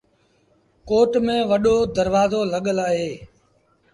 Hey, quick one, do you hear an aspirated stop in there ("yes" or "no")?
no